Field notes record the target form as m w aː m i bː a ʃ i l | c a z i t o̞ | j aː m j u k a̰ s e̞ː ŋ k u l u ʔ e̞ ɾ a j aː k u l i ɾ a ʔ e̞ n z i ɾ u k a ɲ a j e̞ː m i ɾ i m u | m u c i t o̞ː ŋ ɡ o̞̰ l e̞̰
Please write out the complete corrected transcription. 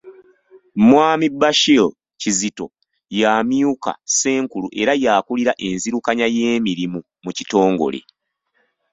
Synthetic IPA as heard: m w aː m i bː a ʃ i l | c i z i t o̞ | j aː m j u k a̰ s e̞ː ŋ k u l u ʔ e̞ ɾ a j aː k u l i ɾ a ʔ e̞ n z i ɾ u k a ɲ a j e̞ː m i ɾ i m u | m u c i t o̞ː ŋ ɡ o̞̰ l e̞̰